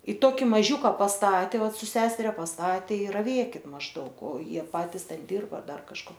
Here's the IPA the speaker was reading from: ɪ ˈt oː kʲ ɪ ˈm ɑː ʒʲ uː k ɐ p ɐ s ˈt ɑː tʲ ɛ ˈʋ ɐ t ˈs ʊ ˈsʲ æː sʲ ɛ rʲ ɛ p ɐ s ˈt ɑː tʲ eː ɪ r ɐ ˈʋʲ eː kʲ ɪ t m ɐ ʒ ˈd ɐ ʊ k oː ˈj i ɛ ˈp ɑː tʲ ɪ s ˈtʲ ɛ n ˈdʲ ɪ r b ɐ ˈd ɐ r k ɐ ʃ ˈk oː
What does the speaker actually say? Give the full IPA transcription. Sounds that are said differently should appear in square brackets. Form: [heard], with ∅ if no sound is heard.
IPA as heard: ɪ ˈt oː kʲ ɪ ˈm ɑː ʒʲ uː k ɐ p ɐ s ˈt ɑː tʲ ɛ ˈʋ ɐ t ˈs ʊ ˈsʲ æː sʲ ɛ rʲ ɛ p ɐ s ˈt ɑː tʲ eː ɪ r ɐ ˈʋʲ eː kʲ ɪ t m ɐ ʒ ˈd ɐ ʊ k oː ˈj i ɛ ˈp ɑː tʲ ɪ s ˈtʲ ɛ n ˈdʲ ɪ r b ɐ ˈd ɐ r k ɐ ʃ ˈk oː